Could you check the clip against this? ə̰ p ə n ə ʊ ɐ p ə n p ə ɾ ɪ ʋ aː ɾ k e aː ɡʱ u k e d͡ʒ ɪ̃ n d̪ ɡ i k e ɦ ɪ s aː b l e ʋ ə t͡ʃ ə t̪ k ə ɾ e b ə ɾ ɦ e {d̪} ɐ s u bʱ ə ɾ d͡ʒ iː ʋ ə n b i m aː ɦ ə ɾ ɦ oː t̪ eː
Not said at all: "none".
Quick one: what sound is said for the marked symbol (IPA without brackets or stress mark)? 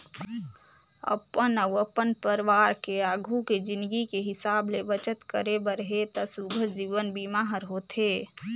t̪